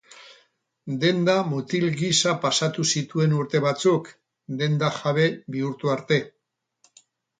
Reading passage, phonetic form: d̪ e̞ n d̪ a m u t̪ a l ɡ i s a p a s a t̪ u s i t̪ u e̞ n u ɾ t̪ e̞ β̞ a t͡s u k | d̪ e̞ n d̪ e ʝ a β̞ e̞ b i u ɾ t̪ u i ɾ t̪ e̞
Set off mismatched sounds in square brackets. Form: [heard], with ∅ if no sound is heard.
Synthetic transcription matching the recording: d̪ e̞ n d̪ a m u t̪ [i] l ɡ i s a p a s a t̪ u s i t̪ u e̞ n u ɾ t̪ e̞ β̞ a t͡s u k | d̪ e̞ n d̪ [a] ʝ a β̞ e̞ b i u ɾ t̪ u [a] ɾ t̪ e̞